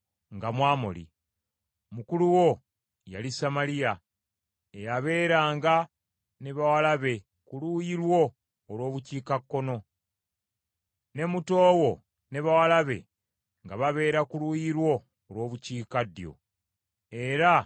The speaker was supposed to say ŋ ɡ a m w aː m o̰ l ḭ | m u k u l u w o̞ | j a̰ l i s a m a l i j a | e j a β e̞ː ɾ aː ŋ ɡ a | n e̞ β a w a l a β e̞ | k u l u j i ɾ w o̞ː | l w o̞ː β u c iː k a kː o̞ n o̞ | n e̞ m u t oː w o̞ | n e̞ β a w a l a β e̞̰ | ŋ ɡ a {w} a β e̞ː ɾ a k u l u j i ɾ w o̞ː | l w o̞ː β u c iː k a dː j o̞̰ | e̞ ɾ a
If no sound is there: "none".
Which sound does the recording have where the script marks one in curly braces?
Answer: β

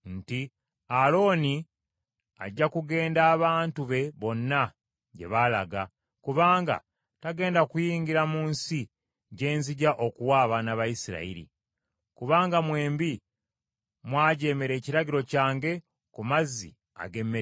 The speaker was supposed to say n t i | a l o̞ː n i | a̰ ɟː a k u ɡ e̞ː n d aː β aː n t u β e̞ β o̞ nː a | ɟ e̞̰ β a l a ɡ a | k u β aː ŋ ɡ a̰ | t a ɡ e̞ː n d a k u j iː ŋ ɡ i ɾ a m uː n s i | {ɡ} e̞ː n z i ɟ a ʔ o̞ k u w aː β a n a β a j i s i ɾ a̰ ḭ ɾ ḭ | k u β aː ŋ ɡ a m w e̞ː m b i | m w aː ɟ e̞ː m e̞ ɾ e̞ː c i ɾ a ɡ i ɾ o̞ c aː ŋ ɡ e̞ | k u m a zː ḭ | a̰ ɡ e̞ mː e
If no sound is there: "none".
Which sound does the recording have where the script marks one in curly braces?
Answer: ɟ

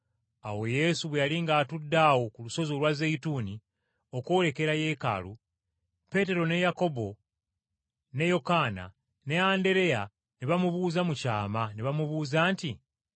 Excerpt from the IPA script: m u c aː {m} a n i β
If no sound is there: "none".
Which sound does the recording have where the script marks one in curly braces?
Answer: m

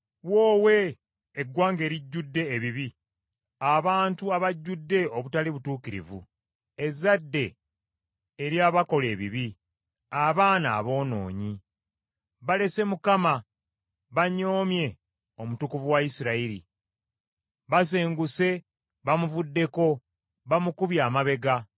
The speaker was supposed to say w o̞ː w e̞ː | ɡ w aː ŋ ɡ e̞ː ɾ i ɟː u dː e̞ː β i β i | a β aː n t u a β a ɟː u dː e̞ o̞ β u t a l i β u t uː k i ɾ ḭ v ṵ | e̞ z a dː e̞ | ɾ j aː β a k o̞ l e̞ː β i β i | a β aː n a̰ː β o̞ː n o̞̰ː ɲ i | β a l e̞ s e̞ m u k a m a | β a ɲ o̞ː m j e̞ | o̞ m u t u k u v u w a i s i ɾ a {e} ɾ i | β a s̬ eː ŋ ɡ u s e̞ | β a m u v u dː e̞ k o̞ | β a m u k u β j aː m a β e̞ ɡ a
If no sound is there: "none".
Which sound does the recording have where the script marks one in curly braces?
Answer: i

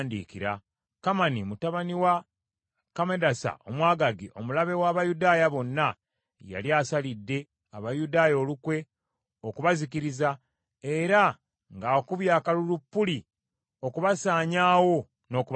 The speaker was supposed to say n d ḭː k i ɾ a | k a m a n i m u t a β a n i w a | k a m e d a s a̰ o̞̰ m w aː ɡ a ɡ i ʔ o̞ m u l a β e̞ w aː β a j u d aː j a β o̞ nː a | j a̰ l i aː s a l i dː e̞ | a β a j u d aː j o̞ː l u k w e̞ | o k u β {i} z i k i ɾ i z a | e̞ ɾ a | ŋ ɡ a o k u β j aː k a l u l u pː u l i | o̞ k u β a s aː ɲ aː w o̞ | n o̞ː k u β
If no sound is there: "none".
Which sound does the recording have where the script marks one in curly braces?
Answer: a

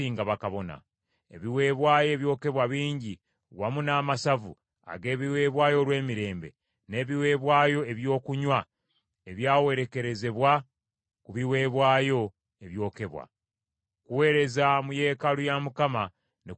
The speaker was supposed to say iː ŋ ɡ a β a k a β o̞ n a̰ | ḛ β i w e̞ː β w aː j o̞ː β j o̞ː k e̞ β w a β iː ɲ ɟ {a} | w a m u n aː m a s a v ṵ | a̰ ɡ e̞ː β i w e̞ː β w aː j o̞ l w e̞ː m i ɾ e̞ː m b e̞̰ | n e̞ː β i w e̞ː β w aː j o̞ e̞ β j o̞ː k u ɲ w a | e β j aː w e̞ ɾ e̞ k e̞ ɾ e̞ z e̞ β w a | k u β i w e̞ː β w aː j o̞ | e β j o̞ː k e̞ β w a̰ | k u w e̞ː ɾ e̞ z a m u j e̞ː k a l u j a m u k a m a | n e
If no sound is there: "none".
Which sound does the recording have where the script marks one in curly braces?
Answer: i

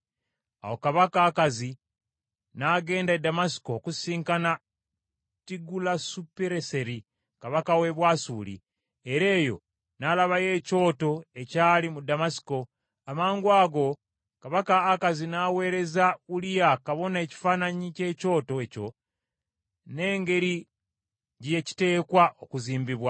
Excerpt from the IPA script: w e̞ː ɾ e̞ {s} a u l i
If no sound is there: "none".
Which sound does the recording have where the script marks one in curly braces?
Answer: z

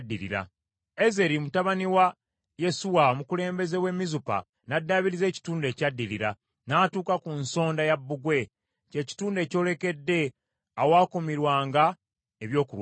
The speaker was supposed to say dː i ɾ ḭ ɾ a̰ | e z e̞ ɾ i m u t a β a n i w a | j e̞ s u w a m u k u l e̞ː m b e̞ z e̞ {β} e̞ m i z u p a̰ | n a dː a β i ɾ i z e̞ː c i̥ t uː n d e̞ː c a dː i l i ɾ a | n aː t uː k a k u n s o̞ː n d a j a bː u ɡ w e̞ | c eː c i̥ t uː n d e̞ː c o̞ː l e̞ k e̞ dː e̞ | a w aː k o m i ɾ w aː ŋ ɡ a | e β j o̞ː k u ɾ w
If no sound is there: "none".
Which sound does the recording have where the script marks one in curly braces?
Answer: w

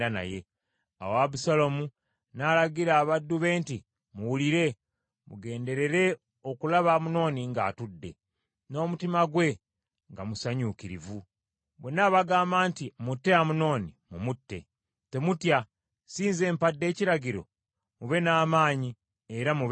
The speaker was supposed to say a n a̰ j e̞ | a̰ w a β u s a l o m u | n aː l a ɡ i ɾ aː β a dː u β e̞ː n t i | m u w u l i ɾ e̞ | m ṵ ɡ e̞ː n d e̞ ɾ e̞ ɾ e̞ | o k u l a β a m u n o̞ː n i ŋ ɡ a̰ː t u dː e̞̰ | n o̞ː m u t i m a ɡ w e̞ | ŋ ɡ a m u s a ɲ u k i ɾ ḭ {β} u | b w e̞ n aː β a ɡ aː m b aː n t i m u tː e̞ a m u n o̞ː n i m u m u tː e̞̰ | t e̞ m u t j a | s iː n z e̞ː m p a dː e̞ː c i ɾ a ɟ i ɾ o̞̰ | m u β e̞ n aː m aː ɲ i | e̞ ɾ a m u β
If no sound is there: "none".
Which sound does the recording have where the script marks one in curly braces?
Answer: v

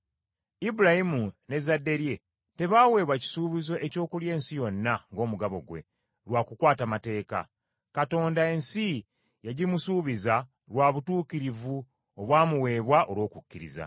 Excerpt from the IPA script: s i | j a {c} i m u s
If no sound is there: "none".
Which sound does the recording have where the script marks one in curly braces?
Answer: ɟ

